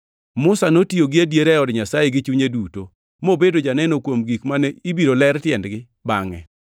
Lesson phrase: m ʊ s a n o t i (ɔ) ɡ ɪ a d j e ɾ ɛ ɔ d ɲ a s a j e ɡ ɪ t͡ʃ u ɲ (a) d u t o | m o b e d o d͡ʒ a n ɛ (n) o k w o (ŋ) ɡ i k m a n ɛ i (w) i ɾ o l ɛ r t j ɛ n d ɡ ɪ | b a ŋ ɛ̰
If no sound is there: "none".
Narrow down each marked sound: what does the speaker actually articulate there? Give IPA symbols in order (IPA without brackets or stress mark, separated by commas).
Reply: o, e, n, m, b